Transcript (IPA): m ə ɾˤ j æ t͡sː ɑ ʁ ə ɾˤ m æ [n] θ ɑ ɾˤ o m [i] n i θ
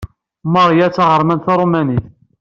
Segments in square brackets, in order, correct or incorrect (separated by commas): correct, incorrect